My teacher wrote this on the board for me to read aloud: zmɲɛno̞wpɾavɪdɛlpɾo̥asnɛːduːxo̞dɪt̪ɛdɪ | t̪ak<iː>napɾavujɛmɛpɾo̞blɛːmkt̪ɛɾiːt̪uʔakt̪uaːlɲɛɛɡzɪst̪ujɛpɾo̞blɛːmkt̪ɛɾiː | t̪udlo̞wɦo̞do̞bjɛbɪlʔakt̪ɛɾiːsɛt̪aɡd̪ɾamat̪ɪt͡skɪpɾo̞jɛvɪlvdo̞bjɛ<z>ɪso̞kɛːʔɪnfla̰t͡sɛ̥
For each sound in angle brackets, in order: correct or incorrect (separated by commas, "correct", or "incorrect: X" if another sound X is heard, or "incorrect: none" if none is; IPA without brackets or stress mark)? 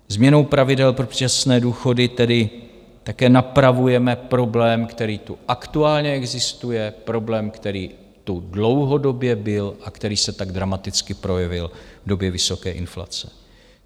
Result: incorrect: ɛː, incorrect: v